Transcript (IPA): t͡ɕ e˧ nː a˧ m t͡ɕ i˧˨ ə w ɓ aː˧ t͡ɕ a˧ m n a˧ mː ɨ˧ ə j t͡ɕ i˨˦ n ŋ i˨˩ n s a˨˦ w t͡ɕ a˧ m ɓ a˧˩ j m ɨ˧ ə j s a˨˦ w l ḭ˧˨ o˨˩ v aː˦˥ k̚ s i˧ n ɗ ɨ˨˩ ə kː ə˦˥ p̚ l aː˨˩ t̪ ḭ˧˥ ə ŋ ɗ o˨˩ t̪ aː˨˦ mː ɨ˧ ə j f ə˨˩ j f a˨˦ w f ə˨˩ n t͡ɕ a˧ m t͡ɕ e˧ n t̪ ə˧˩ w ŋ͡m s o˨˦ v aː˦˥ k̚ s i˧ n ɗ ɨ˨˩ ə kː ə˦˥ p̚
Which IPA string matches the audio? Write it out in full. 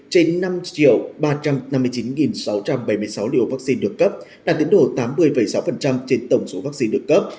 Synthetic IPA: t͡ɕ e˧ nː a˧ m t͡ɕ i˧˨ ə w ɓ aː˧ t͡ɕ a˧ m n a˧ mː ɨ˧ ə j t͡ɕ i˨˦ n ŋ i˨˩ n s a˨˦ w t͡ɕ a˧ m ɓ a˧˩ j m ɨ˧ ə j s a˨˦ w l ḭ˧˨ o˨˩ v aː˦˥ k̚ s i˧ n ɗ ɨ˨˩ ə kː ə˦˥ p̚ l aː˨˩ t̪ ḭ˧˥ ə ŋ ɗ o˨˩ t̪ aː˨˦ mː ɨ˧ ə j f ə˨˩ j s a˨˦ w f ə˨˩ n t͡ɕ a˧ m t͡ɕ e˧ n t̪ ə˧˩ w ŋ͡m s o˨˦ v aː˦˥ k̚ s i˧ n ɗ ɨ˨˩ ə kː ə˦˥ p̚

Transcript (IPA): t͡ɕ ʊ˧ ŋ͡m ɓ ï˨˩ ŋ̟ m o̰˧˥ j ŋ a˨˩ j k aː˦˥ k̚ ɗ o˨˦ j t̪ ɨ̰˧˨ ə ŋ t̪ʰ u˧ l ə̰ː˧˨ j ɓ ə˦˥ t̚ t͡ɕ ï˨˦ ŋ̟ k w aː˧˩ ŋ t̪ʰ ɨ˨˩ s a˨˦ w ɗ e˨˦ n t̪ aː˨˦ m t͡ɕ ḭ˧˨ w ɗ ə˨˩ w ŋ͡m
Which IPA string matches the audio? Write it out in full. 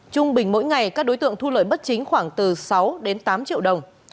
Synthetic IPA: t͡ɕ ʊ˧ ŋ͡m ɓ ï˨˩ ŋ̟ m o̰˧˥ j ŋ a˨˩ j k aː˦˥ k̚ ɗ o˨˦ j t̪ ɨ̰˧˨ ə ŋ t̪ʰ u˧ l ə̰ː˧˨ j ɓ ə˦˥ t̚ t͡ɕ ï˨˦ ŋ̟ x w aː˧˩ ŋ t̪ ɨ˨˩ s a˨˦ w ɗ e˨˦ n t̪ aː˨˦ m t͡ɕ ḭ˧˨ w ɗ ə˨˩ w ŋ͡m

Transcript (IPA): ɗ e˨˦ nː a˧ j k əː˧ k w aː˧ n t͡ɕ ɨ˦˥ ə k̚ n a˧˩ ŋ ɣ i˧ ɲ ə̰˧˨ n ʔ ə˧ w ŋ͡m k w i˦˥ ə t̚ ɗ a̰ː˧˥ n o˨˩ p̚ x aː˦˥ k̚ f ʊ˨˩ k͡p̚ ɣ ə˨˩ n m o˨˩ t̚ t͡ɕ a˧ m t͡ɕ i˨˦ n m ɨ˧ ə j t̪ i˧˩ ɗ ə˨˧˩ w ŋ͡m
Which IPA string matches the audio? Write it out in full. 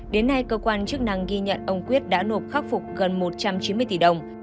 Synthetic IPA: ɗ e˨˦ nː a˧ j k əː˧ k w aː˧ n t͡ɕ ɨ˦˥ ə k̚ n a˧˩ ŋ ɣ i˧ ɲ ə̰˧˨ n ʔ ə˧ w ŋ͡m k w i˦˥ ə t̚ ɗ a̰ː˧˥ n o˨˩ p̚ x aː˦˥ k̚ f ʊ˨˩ k͡p̚ ɣ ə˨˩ n m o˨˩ t̚ t͡ɕ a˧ m t͡ɕ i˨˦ n m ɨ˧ ə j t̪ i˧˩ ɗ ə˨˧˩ w ŋ͡m

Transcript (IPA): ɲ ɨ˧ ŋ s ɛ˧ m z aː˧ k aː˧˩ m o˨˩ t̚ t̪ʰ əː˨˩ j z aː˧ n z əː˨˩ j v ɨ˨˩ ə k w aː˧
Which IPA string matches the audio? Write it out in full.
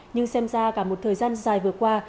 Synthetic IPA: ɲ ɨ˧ ŋ s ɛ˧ m z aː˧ k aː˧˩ m o˨˩ t̚ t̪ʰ əː˨˩ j z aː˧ n z aː˨˩ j v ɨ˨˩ ə k w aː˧

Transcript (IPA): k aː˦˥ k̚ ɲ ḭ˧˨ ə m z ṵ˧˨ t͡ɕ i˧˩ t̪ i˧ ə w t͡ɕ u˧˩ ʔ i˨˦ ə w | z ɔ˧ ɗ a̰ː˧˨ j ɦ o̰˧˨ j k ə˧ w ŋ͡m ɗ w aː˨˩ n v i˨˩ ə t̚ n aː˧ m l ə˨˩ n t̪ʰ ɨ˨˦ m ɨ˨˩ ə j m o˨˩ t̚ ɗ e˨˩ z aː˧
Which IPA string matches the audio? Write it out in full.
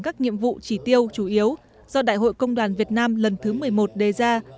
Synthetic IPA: k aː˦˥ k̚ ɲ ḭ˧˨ ə m v ṵ˧˨ t͡ɕ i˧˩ t̪ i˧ ə w t͡ɕ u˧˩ ʔ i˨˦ ə w | z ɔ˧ ɗ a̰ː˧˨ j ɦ o̰˧˨ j k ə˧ w ŋ͡m ɗ w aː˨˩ n v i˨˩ ə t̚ n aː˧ m l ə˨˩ n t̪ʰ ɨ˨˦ m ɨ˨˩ ə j m o˨˩ t̚ ɗ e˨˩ z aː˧

